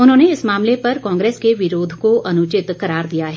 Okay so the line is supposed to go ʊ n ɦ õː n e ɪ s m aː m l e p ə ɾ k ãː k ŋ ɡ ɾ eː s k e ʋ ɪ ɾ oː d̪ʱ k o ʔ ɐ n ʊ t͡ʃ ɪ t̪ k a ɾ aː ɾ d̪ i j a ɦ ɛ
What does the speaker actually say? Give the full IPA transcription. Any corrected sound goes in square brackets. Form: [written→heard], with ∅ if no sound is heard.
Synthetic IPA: ʊ n ɦ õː n e ɪ s m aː m l e p [ə→ɐ] ɾ k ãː [k→∅] ŋ ɡ ɾ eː s k e ʋ ɪ ɾ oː d̪ʱ k o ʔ ɐ n ʊ t͡ʃ ɪ t̪ k [a→ɐ] ɾ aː ɾ d̪ i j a ɦ ɛ